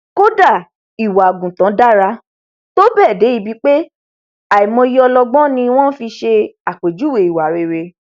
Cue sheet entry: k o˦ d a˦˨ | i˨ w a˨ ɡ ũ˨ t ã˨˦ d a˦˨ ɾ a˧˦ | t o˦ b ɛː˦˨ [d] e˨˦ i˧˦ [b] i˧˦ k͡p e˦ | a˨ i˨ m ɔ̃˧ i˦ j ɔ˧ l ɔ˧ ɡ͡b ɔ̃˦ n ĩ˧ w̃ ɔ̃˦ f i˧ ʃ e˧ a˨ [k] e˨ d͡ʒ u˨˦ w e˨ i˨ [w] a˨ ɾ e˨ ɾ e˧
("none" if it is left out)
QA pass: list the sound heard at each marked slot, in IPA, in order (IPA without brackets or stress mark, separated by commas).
d, b, k͡p, w